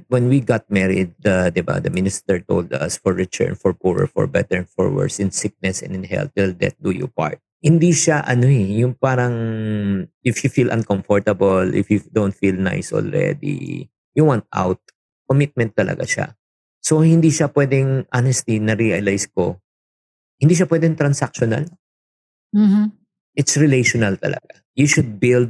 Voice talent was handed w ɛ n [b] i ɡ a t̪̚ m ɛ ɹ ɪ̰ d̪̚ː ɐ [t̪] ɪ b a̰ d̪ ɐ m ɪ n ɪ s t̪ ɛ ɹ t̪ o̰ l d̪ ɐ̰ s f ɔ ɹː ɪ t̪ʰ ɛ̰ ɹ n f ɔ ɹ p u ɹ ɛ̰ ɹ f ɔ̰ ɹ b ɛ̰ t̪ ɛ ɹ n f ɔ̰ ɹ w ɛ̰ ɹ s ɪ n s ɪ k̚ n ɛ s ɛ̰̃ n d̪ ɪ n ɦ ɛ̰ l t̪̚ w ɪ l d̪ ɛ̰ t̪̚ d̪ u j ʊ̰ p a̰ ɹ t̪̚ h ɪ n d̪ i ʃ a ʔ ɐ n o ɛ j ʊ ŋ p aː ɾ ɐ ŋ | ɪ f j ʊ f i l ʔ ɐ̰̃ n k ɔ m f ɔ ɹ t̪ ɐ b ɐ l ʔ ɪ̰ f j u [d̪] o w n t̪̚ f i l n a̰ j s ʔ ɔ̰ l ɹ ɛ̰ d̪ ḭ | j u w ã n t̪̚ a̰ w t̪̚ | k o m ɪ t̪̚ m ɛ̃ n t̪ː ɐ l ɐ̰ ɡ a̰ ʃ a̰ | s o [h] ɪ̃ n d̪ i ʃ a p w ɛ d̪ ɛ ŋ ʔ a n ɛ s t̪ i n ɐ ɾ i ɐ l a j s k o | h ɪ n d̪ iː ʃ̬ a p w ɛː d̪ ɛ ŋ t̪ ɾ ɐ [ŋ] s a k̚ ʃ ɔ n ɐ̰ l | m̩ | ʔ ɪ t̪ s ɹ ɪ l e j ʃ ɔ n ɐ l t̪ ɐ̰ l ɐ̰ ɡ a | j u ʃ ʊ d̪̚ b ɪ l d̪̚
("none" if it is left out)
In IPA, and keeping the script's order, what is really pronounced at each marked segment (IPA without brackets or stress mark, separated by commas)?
w, d̪, d̪, h, n